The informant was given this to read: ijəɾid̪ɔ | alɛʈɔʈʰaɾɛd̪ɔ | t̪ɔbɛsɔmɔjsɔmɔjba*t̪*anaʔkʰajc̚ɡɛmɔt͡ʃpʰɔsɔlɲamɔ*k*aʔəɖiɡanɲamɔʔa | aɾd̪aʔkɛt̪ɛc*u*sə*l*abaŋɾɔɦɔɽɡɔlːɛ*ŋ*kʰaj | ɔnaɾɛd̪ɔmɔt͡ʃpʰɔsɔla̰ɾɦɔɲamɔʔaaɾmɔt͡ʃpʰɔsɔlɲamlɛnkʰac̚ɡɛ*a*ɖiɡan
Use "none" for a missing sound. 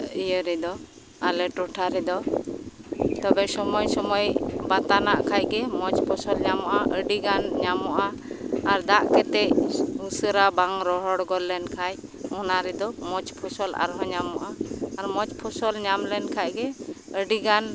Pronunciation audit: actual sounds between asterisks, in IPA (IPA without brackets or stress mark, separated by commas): t̪, ʔ, u, ɾ, n, ə